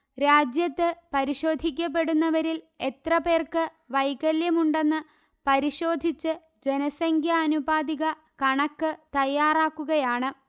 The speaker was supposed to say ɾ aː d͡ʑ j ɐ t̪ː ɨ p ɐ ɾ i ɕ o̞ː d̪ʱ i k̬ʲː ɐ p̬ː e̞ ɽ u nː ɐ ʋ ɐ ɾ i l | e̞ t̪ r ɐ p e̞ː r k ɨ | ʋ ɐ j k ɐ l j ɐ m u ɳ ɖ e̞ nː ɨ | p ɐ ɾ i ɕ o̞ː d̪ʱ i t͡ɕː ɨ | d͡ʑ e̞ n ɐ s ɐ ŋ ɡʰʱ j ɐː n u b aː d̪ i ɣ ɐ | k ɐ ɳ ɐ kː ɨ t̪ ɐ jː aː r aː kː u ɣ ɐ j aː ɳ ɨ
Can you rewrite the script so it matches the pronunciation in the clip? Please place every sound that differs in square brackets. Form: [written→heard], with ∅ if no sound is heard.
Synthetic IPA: ɾ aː d͡ʑ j ɐ t̪ː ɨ p ɐ ɾ i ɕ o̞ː d̪ʱ i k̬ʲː ɐ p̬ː e̞ ɽ u nː ɐ ʋ ɐ ɾ i l | e̞ t̪ r ɐ p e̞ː r k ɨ | ʋ ɐ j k ɐ l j ɐ m u ɳ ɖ e̞ nː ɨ | p ɐ ɾ i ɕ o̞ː d̪ʱ i t͡ɕː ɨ | d͡ʑ e̞ n ɐ s ɐ ŋ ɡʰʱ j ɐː n u b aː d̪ i ɣ ɐ | k ɐ ɳ ɐ kː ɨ t̪ ɐ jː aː r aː kː u ɣ ɐ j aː ɳ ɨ